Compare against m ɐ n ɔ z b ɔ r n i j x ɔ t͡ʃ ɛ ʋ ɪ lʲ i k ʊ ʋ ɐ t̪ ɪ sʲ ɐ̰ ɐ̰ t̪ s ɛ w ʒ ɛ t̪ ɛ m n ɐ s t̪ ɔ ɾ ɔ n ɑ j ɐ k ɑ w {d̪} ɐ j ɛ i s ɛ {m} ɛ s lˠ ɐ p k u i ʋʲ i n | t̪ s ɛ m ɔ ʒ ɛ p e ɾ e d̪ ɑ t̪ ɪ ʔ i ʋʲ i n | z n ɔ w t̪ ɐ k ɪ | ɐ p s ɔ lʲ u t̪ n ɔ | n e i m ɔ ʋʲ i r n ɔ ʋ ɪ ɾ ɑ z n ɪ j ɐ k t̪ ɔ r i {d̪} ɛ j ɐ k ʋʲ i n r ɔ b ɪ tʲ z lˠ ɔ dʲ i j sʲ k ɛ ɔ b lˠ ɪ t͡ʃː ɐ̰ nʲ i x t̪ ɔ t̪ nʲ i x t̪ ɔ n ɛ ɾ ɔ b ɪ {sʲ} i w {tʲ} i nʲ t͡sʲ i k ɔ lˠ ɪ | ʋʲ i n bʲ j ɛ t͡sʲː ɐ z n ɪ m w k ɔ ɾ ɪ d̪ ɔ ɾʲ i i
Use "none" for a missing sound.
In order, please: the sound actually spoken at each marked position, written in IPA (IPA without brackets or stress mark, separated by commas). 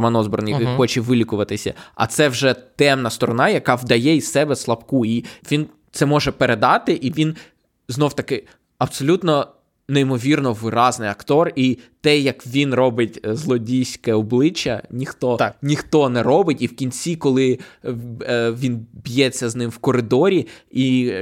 d̪, b, t̪, tʲ, kʲ